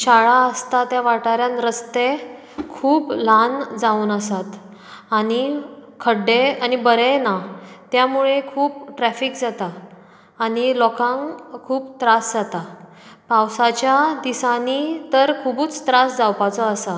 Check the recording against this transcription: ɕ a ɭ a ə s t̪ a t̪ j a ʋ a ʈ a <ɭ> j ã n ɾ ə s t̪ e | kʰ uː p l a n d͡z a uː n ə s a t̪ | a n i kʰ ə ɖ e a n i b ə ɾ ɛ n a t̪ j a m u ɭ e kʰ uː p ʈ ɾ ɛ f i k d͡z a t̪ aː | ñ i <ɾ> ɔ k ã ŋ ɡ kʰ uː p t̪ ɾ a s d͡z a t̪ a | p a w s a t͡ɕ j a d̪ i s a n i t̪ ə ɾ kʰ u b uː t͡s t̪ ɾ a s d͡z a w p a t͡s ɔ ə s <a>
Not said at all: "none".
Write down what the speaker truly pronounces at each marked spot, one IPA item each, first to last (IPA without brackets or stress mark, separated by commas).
ɾ, l, a